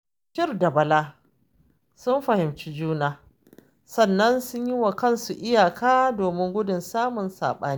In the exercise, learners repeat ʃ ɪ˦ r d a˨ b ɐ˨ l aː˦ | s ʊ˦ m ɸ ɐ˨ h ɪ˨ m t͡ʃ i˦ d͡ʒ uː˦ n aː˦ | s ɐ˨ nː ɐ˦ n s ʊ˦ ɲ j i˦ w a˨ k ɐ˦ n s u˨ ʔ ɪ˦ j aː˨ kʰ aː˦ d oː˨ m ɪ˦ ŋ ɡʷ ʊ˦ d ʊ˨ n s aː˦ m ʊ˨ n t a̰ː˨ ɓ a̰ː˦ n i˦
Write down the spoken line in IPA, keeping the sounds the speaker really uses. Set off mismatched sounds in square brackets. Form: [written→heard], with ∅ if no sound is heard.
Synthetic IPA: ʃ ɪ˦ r d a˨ b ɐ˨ l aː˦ | s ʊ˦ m ɸ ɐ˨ h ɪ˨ m t͡ʃ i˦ d͡ʒ uː˦ n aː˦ | s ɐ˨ nː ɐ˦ n s ʊ˦ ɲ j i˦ w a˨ k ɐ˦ n s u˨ ʔ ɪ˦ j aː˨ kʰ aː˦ d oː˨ m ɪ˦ ŋ ɡʷ ʊ˦ d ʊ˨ n s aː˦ m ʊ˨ n [t→s] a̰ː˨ ɓ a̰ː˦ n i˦